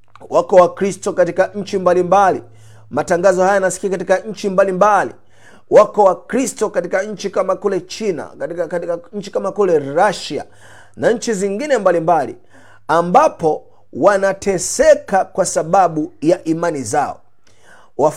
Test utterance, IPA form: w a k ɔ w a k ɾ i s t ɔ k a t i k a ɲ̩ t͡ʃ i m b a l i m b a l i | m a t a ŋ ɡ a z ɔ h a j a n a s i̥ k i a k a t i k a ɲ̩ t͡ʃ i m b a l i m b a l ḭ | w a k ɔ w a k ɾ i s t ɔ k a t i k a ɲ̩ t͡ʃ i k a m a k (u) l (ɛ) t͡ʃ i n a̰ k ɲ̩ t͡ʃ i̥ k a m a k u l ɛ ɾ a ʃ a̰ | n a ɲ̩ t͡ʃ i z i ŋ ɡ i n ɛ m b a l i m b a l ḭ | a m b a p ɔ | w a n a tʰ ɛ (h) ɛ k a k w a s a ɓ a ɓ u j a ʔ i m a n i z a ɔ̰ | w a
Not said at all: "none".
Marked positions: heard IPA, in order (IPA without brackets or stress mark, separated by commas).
u, ɛ, s